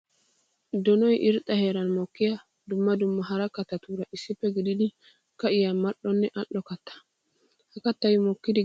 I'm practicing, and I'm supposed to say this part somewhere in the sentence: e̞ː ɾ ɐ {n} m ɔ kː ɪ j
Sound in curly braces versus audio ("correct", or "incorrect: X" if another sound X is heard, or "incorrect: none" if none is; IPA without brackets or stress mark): correct